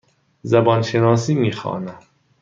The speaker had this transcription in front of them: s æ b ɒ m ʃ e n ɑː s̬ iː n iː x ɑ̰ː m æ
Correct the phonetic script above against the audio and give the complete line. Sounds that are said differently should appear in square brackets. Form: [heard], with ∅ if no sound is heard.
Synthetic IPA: [z] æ b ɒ [n] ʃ e n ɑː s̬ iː [m] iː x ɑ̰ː [n] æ